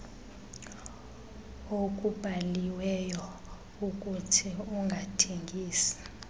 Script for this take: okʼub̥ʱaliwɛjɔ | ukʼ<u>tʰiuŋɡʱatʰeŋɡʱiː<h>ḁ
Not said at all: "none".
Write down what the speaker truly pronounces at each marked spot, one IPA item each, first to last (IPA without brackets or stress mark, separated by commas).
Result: u, s